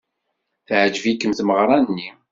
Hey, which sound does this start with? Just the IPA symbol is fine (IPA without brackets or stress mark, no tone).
θ